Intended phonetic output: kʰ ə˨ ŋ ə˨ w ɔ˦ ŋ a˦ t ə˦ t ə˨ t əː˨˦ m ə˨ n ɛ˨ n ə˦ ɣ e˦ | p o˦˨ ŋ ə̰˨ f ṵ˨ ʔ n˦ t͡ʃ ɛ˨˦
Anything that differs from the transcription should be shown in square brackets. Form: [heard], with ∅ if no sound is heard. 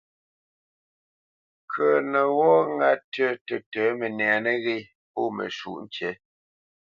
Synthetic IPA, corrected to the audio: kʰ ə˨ [n] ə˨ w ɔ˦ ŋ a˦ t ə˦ t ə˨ t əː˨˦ m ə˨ n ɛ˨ n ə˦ ɣ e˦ | p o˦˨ [m] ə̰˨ [ʃ] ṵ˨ ʔ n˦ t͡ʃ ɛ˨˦